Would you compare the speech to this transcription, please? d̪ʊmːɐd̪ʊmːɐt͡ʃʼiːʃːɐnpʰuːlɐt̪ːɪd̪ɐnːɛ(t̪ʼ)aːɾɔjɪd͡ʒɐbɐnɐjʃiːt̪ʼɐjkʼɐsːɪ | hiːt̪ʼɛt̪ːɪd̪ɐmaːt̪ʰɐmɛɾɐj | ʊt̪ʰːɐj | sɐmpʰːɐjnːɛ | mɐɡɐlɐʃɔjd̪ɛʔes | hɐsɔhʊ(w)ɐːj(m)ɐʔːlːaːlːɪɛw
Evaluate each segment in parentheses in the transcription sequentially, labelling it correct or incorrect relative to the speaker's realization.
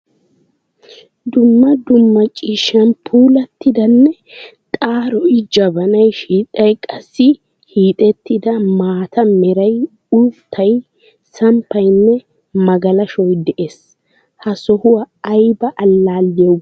correct, correct, incorrect: b

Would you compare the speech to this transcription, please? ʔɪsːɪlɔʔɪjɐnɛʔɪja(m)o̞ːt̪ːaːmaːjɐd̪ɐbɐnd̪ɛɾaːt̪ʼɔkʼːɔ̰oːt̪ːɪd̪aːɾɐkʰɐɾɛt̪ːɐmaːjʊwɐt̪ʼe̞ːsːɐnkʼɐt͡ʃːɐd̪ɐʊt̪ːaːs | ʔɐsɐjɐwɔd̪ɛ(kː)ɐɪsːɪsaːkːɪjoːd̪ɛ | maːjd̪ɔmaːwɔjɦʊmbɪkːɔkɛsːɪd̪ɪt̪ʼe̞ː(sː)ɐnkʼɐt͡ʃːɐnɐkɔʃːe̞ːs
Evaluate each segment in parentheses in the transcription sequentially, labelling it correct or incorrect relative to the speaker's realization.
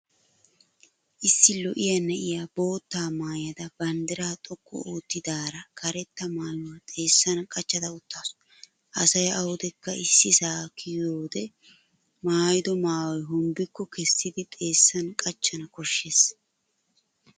incorrect: b, correct, correct

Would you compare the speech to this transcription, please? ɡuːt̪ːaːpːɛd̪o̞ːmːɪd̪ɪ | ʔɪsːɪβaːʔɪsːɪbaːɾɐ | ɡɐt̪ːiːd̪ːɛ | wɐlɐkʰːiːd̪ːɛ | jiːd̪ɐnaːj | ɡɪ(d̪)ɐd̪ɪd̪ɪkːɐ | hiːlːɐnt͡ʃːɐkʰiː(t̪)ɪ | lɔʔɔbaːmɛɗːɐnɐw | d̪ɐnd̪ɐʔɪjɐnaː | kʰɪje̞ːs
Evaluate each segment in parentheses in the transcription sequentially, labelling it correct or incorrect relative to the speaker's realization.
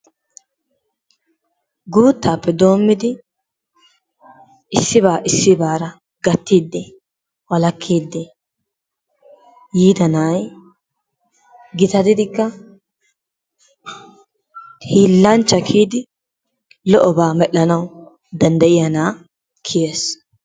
incorrect: t̪, incorrect: d̪

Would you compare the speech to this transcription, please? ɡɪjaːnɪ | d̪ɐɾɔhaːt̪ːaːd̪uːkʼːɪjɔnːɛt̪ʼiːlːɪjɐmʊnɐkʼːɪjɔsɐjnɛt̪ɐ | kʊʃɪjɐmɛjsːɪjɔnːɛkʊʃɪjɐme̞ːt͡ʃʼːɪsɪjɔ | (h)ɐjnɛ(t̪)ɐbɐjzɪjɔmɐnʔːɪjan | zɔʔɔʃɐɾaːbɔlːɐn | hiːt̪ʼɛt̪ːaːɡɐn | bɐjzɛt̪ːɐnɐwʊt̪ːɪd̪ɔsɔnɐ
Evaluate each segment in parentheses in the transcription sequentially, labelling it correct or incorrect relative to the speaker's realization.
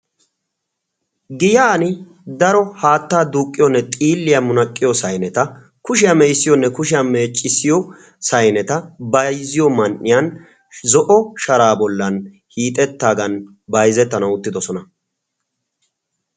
incorrect: s, correct

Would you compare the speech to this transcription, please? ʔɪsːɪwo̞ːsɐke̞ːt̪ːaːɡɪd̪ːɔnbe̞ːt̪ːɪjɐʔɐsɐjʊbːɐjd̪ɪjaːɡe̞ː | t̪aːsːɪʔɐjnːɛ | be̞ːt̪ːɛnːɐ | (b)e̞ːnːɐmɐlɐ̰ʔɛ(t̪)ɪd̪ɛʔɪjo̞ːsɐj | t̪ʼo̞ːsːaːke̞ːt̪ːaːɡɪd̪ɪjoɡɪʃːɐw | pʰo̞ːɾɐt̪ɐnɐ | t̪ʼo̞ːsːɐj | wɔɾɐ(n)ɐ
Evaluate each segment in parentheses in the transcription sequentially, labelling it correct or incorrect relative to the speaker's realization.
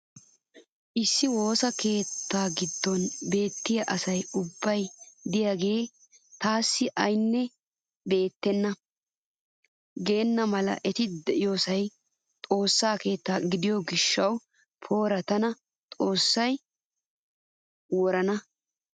incorrect: ɡ, correct, correct

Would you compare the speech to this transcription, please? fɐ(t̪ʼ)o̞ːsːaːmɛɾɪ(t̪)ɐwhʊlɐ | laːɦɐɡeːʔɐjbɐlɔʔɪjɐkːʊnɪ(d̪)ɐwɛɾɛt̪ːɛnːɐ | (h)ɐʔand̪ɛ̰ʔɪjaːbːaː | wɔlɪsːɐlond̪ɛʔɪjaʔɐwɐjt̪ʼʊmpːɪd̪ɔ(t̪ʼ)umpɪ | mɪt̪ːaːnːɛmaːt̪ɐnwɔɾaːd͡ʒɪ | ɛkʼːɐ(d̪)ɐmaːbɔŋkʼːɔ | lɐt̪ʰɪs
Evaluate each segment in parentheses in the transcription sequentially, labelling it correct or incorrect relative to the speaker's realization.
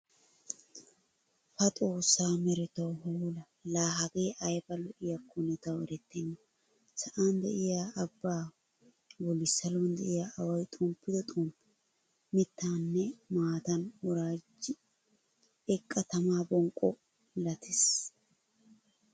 correct, correct, incorrect: t̪, incorrect: s, correct, incorrect: t̪

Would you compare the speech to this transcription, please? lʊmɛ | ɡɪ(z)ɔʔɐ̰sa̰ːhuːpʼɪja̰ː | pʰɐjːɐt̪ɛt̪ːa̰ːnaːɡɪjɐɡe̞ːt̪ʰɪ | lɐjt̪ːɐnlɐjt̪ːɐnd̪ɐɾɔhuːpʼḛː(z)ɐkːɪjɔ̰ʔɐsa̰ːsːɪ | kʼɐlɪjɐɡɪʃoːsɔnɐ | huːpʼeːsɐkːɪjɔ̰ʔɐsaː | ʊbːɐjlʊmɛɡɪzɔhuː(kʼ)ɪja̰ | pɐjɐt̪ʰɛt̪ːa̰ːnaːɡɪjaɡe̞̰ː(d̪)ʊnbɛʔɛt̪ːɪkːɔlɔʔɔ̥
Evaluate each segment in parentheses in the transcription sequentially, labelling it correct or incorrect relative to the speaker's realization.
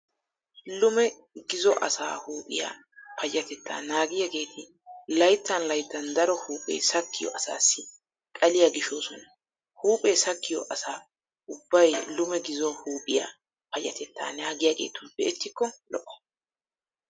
correct, incorrect: s, incorrect: pʼ, incorrect: t̪

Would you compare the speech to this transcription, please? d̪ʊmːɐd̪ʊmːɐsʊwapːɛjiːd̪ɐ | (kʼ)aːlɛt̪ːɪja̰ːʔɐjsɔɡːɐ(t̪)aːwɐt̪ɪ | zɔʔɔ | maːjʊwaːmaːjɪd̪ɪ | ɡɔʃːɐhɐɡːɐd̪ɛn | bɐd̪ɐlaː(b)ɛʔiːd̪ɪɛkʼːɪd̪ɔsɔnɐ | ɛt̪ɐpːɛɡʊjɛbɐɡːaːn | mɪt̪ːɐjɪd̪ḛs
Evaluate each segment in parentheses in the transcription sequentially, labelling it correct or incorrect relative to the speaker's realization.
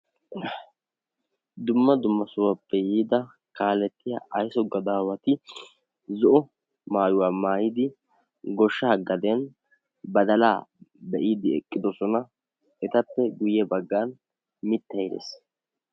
incorrect: k, incorrect: d̪, correct

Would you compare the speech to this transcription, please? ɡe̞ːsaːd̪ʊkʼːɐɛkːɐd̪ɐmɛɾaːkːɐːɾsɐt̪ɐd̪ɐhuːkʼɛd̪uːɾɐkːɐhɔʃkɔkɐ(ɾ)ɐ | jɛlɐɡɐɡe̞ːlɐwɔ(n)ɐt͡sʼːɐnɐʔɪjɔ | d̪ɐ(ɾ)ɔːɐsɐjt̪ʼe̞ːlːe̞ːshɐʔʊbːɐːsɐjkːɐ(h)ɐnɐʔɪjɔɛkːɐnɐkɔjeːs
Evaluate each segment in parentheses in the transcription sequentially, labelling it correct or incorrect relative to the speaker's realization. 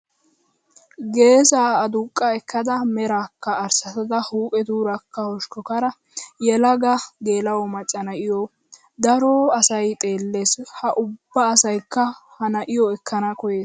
correct, incorrect: m, correct, correct

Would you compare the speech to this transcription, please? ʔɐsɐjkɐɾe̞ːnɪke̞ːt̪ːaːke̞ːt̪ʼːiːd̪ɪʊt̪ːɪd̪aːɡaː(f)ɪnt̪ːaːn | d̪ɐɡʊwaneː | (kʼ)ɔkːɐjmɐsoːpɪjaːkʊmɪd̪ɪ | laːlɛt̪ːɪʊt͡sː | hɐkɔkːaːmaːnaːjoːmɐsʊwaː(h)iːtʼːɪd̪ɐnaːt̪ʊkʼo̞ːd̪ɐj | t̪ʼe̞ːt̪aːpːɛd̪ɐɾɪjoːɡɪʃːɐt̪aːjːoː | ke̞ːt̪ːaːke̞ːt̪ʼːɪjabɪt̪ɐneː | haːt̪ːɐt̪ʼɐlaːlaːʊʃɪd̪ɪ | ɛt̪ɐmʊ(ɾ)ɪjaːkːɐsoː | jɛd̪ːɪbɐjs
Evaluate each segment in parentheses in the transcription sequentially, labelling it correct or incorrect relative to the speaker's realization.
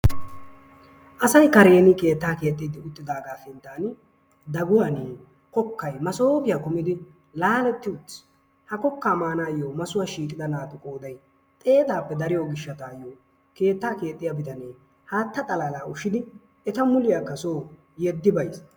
correct, incorrect: k, incorrect: ʃ, incorrect: l

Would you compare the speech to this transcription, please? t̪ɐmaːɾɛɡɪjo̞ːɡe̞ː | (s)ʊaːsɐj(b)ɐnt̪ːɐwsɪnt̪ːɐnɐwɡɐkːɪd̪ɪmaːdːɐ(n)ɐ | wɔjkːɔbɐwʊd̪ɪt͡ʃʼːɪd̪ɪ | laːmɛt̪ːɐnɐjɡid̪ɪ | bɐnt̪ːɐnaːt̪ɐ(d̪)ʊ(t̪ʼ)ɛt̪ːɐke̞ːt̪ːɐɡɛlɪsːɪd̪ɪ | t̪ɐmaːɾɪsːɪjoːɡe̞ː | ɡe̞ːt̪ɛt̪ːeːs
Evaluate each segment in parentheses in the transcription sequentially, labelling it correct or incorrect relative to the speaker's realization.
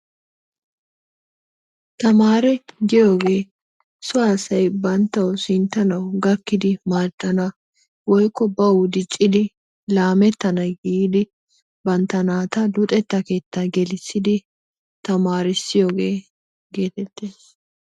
correct, correct, correct, correct, correct

